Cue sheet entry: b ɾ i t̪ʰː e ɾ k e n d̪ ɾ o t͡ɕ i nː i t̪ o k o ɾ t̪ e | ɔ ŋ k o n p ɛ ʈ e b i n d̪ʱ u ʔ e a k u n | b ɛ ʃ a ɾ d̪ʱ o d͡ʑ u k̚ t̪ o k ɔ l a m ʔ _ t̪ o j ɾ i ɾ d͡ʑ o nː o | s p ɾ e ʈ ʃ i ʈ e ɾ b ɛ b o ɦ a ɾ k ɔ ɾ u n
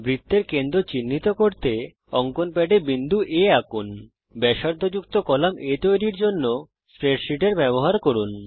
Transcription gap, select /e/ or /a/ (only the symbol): e